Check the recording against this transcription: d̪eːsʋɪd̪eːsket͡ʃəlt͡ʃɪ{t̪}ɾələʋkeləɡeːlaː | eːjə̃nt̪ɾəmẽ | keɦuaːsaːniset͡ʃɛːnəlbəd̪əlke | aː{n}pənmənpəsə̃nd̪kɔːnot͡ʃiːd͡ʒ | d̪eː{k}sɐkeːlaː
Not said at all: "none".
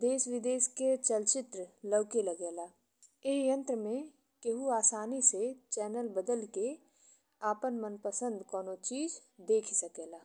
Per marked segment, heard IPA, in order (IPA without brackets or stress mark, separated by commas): t̪, none, kʰ